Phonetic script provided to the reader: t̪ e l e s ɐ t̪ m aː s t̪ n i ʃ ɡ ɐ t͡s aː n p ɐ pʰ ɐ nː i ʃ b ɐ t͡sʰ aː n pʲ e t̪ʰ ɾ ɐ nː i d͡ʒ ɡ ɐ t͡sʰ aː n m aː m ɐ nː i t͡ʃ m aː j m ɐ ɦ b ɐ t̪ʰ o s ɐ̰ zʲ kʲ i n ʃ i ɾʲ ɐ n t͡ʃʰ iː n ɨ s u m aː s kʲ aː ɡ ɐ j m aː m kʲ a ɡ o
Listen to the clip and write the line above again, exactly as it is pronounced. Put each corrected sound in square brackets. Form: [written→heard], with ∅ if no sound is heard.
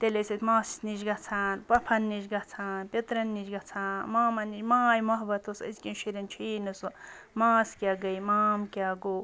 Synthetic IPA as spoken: t̪ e l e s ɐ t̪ m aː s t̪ n i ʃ ɡ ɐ [t͡s→t͡sʰ] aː n p ɐ pʰ ɐ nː i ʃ [b→ɡ] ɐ t͡sʰ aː n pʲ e [t̪ʰ→t̪] ɾ ɐ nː i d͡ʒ ɡ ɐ t͡sʰ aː n m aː m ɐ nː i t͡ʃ m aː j m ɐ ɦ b ɐ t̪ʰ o s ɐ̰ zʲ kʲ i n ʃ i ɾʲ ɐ n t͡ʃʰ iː n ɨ s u m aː s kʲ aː ɡ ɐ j m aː m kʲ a ɡ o